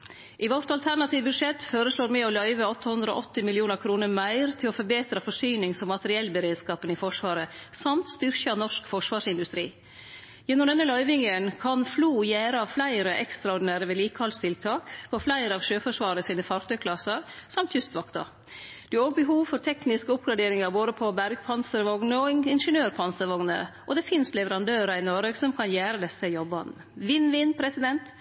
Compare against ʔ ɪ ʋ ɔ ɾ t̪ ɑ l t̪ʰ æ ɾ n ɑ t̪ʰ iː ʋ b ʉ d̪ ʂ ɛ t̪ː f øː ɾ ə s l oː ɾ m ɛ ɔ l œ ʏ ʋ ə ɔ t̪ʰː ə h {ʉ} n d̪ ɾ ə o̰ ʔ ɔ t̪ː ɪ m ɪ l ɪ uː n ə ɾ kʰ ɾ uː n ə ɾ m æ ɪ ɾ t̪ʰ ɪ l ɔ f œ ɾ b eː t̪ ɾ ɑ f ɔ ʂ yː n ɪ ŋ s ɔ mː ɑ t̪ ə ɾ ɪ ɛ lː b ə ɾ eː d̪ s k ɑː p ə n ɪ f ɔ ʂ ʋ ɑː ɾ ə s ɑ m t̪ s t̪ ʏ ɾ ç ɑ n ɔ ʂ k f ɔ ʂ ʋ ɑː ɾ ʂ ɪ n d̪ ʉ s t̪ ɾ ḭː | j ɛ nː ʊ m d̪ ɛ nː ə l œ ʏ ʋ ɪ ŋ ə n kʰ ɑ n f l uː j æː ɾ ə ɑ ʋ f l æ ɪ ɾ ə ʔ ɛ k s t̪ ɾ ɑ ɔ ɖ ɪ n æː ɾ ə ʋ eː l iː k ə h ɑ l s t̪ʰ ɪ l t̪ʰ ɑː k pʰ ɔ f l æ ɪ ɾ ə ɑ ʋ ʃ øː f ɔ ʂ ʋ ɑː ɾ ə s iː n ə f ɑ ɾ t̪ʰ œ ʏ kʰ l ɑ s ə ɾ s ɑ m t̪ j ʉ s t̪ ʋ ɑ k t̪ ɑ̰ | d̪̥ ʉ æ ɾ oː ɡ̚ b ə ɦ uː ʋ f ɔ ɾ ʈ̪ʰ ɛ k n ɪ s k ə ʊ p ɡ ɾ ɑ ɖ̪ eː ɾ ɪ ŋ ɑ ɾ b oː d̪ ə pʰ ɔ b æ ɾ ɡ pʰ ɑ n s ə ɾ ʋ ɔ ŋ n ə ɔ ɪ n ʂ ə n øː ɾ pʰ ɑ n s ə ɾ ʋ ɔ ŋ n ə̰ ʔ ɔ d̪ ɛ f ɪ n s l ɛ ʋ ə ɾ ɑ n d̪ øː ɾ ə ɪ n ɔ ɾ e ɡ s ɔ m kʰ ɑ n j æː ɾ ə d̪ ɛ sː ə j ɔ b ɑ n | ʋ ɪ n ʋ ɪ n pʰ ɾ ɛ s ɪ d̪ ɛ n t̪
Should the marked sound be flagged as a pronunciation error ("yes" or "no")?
no